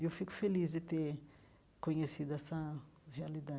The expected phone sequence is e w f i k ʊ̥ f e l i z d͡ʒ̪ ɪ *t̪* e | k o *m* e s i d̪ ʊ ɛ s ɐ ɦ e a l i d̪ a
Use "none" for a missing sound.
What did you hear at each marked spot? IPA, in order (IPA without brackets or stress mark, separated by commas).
t̪, ɲ